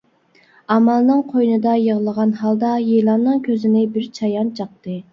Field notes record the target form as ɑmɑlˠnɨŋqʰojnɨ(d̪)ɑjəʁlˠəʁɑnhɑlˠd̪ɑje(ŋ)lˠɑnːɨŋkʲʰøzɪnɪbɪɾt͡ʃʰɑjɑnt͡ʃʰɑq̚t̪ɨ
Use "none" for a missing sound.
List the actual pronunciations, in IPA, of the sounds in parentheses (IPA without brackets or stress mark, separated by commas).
d̪, none